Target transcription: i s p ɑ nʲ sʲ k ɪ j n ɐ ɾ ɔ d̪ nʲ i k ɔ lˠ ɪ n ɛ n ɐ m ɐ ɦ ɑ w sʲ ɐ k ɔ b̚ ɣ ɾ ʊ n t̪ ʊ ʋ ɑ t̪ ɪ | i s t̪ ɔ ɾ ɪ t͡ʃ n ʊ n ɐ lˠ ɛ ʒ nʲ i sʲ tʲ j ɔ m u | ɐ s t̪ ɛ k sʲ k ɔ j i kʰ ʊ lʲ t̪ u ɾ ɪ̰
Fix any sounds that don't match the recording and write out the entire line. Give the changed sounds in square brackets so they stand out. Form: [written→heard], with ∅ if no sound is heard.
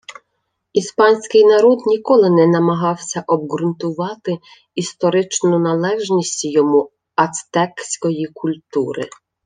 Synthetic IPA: i s p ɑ nʲ sʲ k ɪ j n ɐ ɾ ɔ d̪ nʲ i k ɔ lˠ ɪ n ɛ n ɐ m ɐ ɦ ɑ w sʲ ɐ [k→ʔ] ɔ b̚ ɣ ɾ ʊ n t̪ ʊ ʋ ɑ t̪ ɪ | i s t̪ ɔ ɾ ɪ t͡ʃ n ʊ n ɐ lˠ ɛ ʒ nʲ i sʲ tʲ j ɔ m u | ɐ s t̪ ɛ k sʲ k ɔ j i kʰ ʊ lʲ t̪ u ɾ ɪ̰

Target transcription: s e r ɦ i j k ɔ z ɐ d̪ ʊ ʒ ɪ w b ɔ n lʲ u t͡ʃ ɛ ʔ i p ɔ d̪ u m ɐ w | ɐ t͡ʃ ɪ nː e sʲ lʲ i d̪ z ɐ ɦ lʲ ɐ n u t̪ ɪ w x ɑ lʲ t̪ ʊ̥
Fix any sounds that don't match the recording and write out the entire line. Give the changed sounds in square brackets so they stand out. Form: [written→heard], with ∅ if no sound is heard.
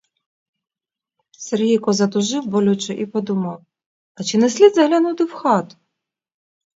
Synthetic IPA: s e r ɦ i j k ɔ z ɐ [d̪→t̪] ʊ ʒ ɪ w b ɔ [n→∅] lʲ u t͡ʃ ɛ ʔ i p ɔ d̪ u m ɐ w | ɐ t͡ʃ ɪ [nː→n] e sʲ lʲ i d̪ z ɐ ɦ lʲ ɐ n u t̪ ɪ w x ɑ [lʲ→∅] t̪ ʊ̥

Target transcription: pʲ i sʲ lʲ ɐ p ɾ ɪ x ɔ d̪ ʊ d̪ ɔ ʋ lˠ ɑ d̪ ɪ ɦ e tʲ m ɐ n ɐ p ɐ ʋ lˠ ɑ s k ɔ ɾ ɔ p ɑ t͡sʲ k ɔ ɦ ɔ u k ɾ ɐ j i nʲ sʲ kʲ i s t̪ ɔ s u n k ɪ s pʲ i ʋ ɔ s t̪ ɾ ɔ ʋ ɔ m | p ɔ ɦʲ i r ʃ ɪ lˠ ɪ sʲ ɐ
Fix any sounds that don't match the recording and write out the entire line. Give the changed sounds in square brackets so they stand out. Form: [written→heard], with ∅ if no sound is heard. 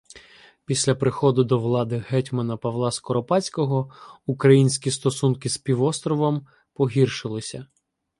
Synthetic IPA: pʲ i sʲ lʲ ɐ p ɾ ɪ x ɔ d̪ ʊ d̪ ɔ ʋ lˠ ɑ d̪ ɪ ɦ [e→ɛ] tʲ m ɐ n ɐ p ɐ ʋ lˠ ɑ s k ɔ ɾ ɔ p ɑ t͡sʲ k ɔ ɦ ɔ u k ɾ ɐ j i nʲ sʲ kʲ i s t̪ ɔ s u n k ɪ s pʲ i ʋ ɔ s t̪ ɾ ɔ ʋ ɔ m | p ɔ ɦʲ i r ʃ ɪ lˠ ɪ sʲ ɐ

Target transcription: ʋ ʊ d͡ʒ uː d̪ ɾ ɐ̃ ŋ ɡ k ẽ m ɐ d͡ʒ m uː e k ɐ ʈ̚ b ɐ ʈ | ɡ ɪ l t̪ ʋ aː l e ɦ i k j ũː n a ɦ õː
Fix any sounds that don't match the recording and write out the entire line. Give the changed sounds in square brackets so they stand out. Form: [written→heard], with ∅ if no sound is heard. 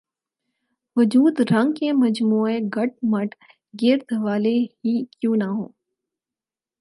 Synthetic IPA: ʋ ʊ d͡ʒ uː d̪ ɾ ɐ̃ ŋ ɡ k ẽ m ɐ d͡ʒ m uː e [k→ɡ] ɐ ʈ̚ [b→m] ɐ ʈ | ɡ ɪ [l→ɾ] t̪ ʋ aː l e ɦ i k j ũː n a ɦ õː

